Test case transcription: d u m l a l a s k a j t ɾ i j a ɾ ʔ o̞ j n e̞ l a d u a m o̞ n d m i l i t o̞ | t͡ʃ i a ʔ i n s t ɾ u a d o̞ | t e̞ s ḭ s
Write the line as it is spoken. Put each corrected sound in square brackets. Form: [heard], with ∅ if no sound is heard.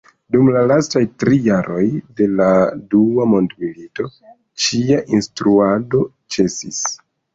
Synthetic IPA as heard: d u m l a l a s [t] a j t ɾ i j a ɾ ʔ o̞ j [d] e̞ l a d u a m o̞ n d m i l i t o̞ | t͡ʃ i a ʔ i n s t ɾ u a d o̞ | [t͡ʃ] e̞ s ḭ s